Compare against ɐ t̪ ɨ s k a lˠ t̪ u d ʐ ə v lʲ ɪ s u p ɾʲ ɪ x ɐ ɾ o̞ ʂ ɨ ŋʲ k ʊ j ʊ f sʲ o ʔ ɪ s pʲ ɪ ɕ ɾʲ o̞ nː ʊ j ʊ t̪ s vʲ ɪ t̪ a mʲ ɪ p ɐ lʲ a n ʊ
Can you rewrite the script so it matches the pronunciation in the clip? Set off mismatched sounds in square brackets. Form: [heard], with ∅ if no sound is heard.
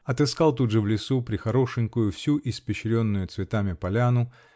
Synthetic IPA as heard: ɐ t̪ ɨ s k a lˠ t̪ u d ʐ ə v lʲ ɪ s u p ɾʲ ɪ x ɐ ɾ o̞ ʂ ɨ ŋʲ k ʊ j ʊ f sʲ [u] ʔ ɪ s pʲ ɪ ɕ ɾʲ o̞ nː ʊ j ʊ t̪ s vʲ ɪ t̪ a mʲ ɪ p ɐ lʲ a n ʊ